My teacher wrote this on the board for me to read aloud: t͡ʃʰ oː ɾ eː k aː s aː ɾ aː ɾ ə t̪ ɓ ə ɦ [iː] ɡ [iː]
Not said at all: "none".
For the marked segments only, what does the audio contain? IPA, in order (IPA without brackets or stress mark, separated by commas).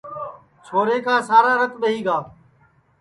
iː, aː